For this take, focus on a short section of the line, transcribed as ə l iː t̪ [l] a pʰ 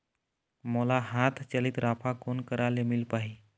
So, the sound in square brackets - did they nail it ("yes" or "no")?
no